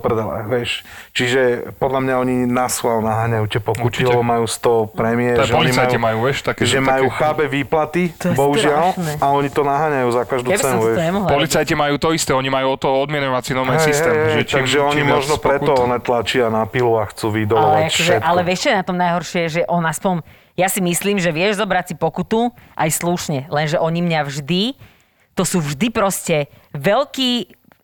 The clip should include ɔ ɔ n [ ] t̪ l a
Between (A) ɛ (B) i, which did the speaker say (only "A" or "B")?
A